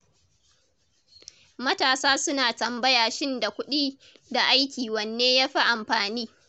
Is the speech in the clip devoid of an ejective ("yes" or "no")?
yes